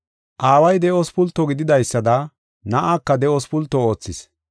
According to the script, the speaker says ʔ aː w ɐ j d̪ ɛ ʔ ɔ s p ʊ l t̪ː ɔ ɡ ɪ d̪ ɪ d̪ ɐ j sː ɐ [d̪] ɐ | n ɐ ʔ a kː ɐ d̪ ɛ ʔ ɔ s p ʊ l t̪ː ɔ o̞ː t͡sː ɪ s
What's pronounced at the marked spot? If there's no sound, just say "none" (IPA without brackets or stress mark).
d̪